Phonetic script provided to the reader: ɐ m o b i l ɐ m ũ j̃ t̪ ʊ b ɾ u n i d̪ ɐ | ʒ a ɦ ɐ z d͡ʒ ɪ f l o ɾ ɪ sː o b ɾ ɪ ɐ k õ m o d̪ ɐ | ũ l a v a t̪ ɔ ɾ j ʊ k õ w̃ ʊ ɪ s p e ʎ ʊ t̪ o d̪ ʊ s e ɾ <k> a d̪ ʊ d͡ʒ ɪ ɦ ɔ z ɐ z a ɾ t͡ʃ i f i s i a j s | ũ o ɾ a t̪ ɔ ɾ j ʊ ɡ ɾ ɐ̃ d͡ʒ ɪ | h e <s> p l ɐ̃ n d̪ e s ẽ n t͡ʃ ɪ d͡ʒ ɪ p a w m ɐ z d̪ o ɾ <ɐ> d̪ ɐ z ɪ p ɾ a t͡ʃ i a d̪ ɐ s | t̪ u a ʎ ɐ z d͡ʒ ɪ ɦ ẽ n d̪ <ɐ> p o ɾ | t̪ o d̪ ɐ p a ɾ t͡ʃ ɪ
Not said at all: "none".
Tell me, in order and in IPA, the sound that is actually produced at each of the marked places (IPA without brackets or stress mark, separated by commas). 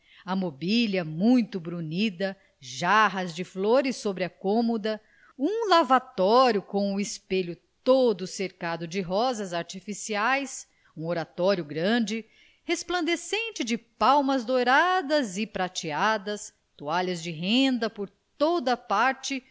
k, s, a, ɐ